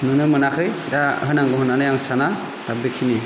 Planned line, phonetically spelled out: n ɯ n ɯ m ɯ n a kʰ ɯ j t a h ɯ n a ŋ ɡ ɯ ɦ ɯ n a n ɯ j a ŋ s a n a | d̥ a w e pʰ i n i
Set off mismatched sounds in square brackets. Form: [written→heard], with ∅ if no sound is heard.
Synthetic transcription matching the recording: n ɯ n ɯ m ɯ n a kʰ ɯ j [t→d] a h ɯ n a ŋ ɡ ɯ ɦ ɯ n a n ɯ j a ŋ s a n a | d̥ a [w→b] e [pʰ→kʰ] i n i